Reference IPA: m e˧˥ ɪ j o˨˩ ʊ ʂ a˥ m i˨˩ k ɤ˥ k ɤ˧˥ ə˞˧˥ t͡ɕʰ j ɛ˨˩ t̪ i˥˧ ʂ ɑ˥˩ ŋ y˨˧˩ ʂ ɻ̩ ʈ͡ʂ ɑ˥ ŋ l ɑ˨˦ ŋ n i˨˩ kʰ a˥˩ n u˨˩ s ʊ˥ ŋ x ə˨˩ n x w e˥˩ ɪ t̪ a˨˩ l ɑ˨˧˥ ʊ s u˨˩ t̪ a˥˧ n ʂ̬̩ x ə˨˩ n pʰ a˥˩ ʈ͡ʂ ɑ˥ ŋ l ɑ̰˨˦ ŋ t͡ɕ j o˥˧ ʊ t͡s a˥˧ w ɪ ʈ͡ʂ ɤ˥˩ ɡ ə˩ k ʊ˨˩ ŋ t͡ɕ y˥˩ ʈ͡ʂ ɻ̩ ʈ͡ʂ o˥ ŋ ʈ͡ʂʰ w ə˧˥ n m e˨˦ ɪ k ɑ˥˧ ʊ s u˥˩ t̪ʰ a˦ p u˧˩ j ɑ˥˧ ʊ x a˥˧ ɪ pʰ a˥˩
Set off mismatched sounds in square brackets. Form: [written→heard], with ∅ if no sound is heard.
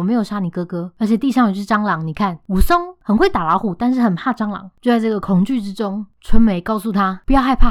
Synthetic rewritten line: m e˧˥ ɪ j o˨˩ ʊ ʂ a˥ [m→n] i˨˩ k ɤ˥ k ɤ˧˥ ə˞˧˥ t͡ɕʰ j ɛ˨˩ t̪ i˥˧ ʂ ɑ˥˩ ŋ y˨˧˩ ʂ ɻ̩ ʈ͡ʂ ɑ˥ ŋ l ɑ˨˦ ŋ n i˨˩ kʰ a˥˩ n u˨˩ s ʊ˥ ŋ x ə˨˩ n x w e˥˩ ɪ t̪ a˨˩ l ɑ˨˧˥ ʊ [s→x] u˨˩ t̪ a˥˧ n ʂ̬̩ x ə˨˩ n pʰ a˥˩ ʈ͡ʂ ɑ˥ ŋ l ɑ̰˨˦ ŋ t͡ɕ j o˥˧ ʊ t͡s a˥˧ [w→∅] ɪ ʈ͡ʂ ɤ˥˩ ɡ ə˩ [k→kʰ] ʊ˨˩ ŋ t͡ɕ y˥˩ ʈ͡ʂ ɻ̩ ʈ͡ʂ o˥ ŋ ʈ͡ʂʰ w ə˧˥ n m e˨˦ ɪ k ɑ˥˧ ʊ s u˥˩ t̪ʰ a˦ p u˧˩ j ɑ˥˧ ʊ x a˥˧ ɪ pʰ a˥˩